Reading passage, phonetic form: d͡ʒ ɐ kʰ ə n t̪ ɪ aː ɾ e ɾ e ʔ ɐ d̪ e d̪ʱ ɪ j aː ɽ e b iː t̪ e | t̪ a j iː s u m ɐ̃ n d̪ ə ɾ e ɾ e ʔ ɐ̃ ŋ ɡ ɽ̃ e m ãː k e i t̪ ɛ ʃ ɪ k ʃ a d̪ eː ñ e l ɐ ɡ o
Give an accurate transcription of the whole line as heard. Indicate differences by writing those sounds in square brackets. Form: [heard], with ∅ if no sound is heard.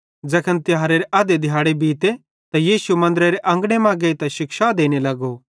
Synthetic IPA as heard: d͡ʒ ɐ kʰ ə n t̪ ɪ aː ɾ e ɾ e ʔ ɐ d̪ e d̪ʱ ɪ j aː ɽ e b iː t̪ e | t̪ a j iː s u m ɐ̃ n d̪ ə ɾ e ɾ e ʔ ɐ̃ ŋ ɡ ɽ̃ e m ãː [ɡ] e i t̪ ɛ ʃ ɪ k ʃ a d̪ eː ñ e l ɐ ɡ o